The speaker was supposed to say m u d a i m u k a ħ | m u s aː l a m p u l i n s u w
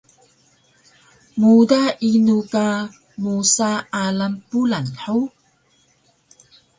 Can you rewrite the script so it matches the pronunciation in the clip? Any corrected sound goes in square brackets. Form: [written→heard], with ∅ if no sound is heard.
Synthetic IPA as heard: m u d a i [m→n] u k a [ħ→∅] | m u s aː l a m p u l [i→a] n [s→ħ] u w